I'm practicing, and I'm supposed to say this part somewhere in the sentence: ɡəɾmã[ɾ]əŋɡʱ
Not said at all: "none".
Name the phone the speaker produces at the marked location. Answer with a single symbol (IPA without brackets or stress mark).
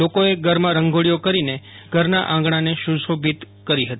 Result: ɾ